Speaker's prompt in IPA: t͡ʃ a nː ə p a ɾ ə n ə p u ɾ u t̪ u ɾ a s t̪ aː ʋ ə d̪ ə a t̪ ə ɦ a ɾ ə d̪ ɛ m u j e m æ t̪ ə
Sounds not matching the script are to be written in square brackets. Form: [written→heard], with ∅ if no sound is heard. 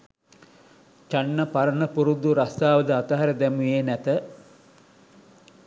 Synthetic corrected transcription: t͡ʃ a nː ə p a ɾ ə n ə p u ɾ u [t̪→d̪] u ɾ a s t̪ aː ʋ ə d̪ ə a t̪ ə ɦ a ɾ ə d̪ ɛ m u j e [m→n] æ t̪ ə

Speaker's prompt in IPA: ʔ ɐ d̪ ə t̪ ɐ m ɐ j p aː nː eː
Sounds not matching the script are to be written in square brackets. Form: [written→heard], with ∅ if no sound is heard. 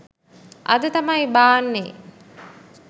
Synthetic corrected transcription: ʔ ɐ d̪ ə t̪ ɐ m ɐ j [p→b] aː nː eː

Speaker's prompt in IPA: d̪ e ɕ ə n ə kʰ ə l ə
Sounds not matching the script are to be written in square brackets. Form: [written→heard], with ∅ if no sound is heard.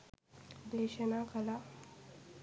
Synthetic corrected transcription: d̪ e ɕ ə n [ə→a] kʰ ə l [ə→a]

